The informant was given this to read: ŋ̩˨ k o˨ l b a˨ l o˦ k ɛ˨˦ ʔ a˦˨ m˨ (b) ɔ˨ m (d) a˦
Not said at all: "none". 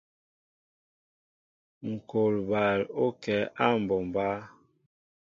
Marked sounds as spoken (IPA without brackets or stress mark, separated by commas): b, b